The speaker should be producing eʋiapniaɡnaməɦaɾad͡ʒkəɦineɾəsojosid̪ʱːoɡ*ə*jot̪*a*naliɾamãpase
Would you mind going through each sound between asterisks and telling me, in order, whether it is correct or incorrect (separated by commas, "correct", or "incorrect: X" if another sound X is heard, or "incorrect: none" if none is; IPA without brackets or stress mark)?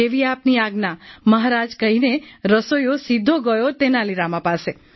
correct, incorrect: e